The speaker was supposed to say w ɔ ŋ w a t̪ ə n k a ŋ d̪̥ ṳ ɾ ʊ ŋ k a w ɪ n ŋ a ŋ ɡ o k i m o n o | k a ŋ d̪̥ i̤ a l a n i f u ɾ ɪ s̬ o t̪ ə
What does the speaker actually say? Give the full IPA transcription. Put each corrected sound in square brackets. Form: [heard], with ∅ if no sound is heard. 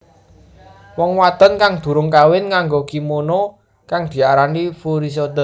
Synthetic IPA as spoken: w ɔ ŋ w a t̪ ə n k a ŋ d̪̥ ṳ ɾ ʊ ŋ k a w ɪ n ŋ a ŋ ɡ o k i m o n o | k a ŋ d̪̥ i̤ a [ɾ] a n i f u ɾ [i] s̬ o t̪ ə